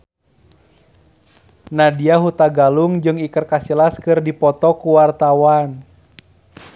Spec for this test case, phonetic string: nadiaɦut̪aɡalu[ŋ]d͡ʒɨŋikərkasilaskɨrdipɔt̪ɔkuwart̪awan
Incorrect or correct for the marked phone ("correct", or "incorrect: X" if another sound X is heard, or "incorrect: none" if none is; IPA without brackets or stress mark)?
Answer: correct